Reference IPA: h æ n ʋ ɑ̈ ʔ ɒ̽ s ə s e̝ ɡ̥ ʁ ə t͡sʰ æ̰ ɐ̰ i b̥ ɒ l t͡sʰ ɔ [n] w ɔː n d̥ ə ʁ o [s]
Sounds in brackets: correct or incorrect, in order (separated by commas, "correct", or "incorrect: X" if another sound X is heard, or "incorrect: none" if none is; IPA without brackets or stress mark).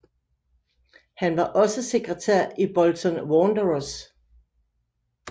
correct, correct